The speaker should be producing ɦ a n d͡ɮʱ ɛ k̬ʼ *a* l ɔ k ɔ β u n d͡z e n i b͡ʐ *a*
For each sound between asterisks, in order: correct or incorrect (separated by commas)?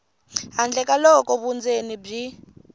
correct, incorrect